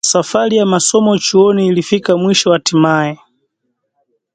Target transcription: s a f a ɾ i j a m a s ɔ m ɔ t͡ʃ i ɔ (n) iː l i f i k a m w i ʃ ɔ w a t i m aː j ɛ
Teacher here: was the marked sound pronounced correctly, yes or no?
yes